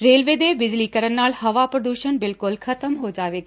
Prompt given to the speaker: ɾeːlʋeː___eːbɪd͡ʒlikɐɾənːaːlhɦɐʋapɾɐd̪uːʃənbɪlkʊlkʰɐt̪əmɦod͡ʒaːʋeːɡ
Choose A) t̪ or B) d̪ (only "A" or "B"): B